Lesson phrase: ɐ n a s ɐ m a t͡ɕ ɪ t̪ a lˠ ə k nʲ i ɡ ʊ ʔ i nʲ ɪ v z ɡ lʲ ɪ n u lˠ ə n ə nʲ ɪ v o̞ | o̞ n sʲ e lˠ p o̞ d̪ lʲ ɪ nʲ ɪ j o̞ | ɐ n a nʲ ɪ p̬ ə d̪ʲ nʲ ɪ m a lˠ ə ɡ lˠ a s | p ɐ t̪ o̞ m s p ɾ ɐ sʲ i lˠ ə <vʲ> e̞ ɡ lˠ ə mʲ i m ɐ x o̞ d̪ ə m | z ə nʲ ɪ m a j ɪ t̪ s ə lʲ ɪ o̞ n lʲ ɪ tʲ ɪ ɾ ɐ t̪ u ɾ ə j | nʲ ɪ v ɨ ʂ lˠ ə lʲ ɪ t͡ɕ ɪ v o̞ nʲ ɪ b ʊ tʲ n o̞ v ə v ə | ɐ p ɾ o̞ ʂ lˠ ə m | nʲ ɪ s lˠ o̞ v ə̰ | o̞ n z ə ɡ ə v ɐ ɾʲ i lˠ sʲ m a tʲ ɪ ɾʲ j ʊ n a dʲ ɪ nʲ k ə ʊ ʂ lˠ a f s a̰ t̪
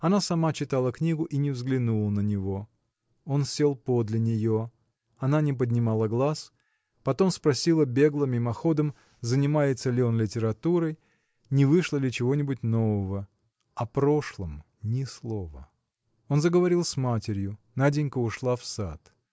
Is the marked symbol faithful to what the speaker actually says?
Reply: no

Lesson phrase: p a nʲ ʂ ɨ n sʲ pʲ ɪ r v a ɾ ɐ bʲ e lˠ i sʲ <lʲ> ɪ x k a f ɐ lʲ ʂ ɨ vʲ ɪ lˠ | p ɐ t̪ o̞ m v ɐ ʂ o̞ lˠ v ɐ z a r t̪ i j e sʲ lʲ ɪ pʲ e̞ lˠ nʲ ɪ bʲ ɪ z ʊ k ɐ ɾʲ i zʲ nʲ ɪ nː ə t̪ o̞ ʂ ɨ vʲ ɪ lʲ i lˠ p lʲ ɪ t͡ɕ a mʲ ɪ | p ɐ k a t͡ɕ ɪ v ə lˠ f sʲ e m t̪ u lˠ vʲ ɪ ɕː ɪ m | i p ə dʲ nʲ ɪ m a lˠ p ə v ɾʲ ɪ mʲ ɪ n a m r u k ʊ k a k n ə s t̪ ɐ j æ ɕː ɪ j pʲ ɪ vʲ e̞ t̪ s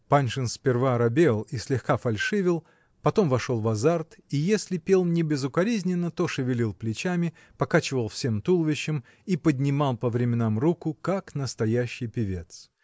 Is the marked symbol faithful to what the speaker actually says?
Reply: yes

